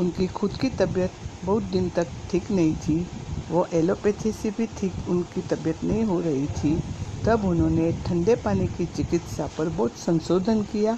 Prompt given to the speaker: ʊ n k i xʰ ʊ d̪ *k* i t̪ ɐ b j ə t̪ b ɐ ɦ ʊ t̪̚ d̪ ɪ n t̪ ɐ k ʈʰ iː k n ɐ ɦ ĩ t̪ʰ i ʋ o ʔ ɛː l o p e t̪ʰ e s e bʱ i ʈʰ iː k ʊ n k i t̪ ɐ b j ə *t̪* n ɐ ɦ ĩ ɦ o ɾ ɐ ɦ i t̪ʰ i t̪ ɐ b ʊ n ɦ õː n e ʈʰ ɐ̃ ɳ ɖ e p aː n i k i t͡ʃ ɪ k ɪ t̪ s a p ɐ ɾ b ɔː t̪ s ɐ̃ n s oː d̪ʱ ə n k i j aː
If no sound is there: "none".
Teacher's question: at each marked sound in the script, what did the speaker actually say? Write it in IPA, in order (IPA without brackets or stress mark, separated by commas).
k, t̪